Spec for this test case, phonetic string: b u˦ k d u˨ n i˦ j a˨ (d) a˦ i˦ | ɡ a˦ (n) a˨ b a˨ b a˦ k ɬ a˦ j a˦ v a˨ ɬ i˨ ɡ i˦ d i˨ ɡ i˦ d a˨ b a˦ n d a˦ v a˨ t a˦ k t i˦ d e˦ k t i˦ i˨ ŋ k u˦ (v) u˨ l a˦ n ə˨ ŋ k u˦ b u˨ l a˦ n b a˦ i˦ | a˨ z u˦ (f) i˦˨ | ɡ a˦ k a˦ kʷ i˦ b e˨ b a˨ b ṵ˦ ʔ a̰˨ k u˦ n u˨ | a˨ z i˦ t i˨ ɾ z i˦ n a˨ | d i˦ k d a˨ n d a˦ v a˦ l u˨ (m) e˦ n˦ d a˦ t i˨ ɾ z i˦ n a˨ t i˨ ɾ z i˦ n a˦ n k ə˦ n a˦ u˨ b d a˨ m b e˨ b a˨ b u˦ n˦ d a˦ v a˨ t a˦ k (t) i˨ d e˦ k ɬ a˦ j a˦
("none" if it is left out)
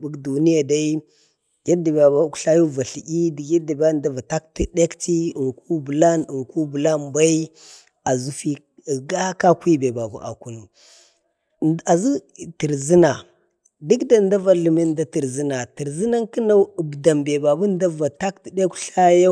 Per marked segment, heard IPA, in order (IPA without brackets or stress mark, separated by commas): d, d, b, f, m, t